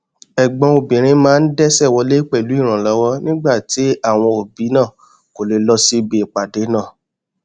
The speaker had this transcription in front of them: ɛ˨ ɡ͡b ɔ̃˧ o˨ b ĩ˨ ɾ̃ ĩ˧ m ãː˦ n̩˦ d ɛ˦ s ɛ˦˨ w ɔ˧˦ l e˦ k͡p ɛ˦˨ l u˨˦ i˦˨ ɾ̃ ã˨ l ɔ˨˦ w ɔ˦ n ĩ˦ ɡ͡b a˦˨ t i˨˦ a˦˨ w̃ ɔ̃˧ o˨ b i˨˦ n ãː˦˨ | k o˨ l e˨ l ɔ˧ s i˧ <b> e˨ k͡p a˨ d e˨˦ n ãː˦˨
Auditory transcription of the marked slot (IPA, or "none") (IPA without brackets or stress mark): b